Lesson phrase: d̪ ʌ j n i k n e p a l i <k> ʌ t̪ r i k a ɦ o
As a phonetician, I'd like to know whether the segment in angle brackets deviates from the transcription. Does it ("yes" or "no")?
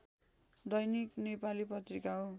yes